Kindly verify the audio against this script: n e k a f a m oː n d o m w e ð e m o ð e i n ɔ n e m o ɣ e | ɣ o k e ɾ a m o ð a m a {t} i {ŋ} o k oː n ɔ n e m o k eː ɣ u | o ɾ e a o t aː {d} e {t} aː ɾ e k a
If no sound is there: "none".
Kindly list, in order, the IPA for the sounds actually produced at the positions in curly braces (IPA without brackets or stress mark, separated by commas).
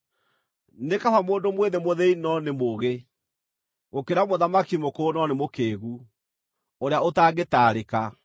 k, m, ɡ, t